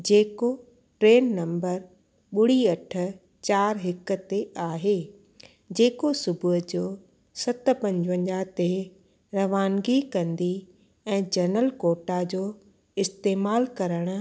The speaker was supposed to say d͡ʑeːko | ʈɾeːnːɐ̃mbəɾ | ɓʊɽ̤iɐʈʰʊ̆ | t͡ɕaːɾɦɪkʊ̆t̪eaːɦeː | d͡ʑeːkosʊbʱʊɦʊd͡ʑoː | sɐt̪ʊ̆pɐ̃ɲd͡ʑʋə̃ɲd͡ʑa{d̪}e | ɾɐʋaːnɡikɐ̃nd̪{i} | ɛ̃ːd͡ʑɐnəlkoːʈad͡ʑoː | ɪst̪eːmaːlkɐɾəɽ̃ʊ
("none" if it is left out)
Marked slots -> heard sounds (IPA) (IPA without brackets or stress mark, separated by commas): t̪, i